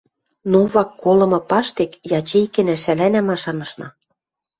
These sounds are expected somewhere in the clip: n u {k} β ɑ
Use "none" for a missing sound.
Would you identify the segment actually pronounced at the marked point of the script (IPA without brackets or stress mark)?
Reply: none